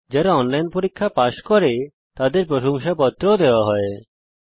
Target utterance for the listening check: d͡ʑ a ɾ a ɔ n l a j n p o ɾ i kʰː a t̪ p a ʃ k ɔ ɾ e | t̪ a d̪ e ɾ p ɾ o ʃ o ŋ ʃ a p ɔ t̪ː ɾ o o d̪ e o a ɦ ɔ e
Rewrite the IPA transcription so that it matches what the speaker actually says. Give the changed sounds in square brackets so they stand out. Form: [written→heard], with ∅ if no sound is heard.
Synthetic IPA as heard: d͡ʑ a ɾ a ɔ n l a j n p o ɾ i kʰː a [t̪→∅] p a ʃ k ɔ ɾ e | t̪ a d̪ e ɾ p ɾ o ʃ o ŋ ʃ a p ɔ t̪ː ɾ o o d̪ e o a ɦ ɔ e